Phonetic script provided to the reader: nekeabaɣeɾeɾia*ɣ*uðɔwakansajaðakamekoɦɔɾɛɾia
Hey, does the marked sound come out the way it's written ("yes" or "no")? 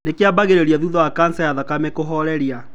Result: no